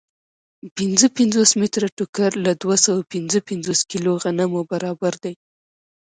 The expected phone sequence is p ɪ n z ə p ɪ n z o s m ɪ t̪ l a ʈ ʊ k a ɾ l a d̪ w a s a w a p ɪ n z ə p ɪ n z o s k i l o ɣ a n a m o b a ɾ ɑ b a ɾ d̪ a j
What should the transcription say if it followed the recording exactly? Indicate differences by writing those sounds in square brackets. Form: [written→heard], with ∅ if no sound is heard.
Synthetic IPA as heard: p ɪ n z ə p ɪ n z o s m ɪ t̪ [l→ɾ] a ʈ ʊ k a ɾ l a d̪ w a s a w a p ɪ n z ə p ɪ n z o s k i l o ɣ a n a m o b a ɾ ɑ b a ɾ d̪ a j